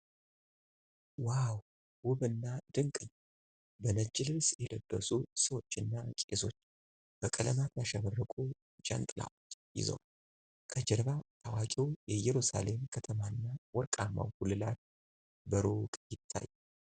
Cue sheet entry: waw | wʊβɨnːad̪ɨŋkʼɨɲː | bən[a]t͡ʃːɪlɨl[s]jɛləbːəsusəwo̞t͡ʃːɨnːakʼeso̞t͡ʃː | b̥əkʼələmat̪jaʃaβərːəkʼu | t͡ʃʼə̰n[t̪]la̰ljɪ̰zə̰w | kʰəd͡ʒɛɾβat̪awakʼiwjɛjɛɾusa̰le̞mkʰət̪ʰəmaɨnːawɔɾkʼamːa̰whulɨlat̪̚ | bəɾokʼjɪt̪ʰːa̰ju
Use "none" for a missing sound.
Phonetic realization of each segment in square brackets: ə, s, t̪ʼ

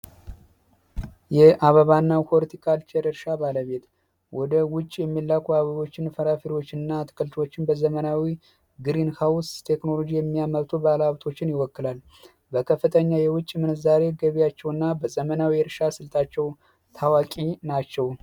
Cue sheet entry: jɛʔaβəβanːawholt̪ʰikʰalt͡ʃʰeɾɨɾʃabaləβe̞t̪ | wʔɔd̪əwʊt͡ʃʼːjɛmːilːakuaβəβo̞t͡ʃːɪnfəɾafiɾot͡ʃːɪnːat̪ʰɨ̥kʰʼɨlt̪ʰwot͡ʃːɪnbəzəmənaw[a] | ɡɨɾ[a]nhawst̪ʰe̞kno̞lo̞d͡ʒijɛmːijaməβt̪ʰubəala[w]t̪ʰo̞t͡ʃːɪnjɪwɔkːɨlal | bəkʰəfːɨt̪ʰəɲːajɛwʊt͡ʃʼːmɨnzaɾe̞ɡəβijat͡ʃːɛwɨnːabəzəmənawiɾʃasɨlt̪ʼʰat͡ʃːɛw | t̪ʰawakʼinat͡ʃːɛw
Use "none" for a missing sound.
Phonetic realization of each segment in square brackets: i, i, β

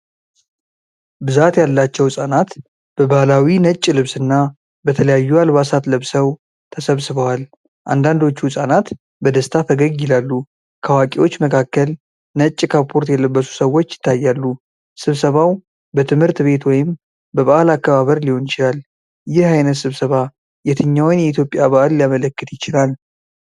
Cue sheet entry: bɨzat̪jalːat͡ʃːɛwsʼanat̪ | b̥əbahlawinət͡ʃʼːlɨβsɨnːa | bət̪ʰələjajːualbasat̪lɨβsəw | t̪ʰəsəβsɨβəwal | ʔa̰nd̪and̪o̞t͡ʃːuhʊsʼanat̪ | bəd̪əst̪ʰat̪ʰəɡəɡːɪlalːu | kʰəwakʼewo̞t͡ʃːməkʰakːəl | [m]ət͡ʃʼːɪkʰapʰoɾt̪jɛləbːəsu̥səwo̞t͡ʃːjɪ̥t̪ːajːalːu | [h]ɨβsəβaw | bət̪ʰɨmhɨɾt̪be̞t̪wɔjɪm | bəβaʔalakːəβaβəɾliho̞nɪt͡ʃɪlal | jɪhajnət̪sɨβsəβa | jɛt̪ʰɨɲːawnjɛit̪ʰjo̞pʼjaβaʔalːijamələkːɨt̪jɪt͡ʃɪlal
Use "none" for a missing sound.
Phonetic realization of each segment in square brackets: n, s

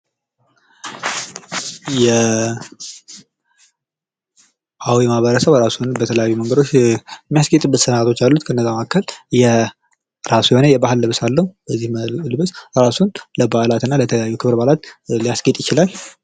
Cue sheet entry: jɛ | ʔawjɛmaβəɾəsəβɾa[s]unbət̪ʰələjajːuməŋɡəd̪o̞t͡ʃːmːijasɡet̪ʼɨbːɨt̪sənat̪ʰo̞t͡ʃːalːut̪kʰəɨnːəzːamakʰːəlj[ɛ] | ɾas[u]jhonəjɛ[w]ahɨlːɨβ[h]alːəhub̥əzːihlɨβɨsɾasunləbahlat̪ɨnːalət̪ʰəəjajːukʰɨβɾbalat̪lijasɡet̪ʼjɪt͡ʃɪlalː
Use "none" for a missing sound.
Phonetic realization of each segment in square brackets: s, ɛ, u, b, s

